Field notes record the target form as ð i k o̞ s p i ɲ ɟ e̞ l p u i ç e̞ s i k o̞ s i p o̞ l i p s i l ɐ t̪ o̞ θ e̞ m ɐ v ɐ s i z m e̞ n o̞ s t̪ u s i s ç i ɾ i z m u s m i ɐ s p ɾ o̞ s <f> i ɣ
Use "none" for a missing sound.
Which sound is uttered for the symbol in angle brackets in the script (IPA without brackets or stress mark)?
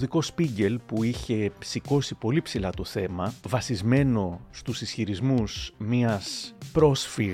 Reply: f